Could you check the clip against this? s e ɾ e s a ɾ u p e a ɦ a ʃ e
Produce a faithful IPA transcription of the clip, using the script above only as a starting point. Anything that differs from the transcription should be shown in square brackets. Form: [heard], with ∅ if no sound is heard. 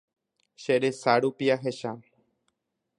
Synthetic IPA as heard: [ʃ] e ɾ e s a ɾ u p [i] a ɦ [e] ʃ [a]